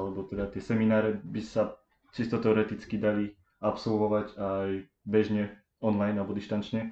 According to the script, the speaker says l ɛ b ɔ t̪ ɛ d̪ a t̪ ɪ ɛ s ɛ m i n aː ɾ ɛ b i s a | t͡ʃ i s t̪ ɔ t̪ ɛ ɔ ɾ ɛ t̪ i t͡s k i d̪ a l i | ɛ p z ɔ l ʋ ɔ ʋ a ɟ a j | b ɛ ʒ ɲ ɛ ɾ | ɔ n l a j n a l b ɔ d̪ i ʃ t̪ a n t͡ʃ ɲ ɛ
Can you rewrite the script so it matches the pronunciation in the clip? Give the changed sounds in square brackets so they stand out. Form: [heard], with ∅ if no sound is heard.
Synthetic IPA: l ɛ b ɔ t̪ ɛ d̪ a t̪ ɪ ɛ s ɛ m i n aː ɾ ɛ b i s a | t͡ʃ i s t̪ ɔ t̪ ɛ ɔ ɾ ɛ t̪ i t͡s k i d̪ a l i | [a] p [s] ɔ l ʋ ɔ ʋ a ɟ a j | b ɛ ʒ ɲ ɛ [∅] | ɔ n l a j n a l b ɔ d̪ i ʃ t̪ a n t͡ʃ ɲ ɛ